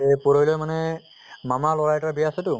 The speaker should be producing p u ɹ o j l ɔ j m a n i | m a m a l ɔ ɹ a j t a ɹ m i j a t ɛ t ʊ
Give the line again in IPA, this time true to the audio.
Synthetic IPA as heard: p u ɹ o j l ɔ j m a n ɛ | m a m a l ɔ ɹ a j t a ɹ b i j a s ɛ t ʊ